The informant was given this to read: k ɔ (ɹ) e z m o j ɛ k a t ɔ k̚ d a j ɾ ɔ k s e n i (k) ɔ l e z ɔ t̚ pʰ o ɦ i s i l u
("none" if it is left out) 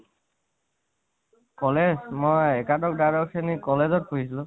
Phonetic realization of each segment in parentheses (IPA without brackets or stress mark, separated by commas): l, k